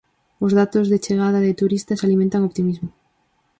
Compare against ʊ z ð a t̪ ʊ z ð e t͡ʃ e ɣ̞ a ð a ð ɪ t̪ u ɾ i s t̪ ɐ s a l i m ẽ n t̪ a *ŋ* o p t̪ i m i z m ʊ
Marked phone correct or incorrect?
correct